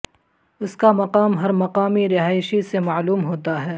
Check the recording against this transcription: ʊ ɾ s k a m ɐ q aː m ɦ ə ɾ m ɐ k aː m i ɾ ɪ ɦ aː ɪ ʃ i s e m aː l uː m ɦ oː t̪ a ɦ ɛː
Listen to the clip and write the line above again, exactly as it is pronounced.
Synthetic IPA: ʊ s k a m ɐ q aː m ɦ ɐ ɾ m ɐ q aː m i ɾ ɪ ɦ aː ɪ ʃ i s e m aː l uː m ɦ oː t̪ a ɦ ɛː